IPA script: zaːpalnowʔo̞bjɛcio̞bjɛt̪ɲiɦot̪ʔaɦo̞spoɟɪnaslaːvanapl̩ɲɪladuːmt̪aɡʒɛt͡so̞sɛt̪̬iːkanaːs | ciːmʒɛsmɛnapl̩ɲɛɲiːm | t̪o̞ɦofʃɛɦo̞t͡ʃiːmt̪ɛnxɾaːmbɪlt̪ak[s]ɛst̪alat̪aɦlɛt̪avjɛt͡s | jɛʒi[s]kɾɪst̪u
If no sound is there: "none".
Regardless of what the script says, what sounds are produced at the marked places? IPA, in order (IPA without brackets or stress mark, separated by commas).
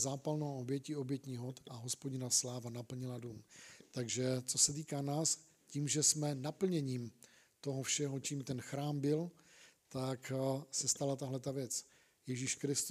s, ʃ